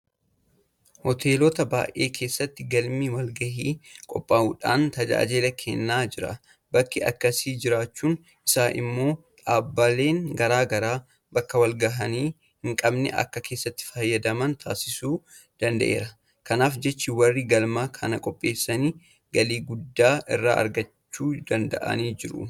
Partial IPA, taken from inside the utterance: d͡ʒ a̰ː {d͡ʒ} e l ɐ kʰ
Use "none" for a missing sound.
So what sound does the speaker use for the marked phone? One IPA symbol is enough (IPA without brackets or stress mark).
d͡ʒ